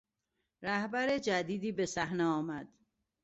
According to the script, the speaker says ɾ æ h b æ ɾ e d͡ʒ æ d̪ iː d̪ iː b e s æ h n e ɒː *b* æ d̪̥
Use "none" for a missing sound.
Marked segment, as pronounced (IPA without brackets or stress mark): m